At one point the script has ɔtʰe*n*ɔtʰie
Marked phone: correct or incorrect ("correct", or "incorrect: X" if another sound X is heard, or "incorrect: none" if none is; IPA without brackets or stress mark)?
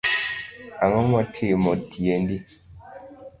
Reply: incorrect: m